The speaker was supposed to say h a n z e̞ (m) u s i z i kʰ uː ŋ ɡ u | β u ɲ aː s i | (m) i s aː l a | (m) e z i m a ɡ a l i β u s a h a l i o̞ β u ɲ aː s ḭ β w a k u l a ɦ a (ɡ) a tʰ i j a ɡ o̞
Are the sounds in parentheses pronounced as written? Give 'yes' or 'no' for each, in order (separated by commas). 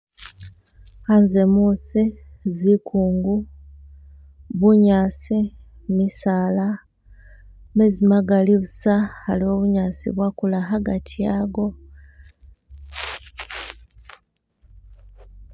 yes, yes, yes, yes